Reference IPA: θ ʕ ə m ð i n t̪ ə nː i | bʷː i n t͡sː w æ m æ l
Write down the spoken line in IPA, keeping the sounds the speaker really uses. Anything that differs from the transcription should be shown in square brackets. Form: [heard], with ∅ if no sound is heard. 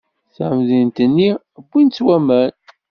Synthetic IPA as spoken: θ ʕ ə m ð i n t̪ ə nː i | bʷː i n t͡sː w æ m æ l